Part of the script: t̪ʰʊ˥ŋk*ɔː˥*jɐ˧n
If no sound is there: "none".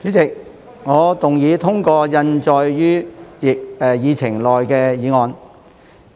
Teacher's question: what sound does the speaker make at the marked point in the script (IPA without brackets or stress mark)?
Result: ɔː˧